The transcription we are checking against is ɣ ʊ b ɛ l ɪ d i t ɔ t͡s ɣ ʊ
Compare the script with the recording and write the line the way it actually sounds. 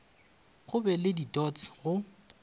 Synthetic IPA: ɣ ʊ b ɛ l ɪ d i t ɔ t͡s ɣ ʊ